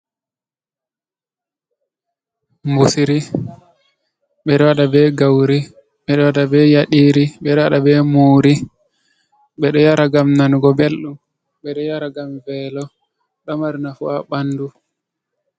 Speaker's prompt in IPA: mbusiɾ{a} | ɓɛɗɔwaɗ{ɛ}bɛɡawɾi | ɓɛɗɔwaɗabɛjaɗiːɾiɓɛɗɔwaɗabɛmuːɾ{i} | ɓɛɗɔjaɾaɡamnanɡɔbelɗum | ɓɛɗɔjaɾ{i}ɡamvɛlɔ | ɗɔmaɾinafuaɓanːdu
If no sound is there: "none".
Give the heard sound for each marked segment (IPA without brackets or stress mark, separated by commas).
i, a, i, a